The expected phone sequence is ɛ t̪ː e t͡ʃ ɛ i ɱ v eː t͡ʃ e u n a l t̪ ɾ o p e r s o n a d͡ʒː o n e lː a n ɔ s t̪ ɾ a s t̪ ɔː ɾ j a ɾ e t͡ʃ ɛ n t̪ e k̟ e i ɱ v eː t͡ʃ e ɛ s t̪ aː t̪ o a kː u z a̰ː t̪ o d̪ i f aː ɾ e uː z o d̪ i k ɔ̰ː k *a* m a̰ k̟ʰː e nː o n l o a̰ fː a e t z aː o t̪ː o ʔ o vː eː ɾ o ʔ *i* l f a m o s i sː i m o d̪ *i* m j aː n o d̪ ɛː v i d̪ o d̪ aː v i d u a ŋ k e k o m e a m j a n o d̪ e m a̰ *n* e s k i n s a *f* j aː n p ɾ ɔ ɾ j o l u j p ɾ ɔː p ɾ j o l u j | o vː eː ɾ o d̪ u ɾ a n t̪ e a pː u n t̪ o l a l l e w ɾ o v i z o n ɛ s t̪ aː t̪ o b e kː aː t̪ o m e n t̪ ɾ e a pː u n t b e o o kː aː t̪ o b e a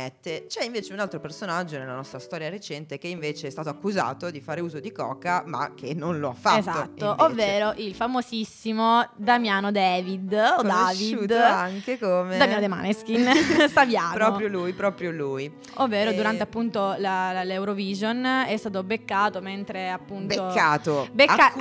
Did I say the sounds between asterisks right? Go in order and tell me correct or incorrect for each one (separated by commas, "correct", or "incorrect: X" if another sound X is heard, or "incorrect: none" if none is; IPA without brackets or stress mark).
correct, correct, incorrect: a, correct, incorrect: v